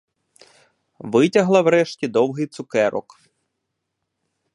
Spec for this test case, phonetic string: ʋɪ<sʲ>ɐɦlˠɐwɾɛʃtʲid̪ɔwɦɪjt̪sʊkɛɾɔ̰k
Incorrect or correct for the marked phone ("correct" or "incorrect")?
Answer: incorrect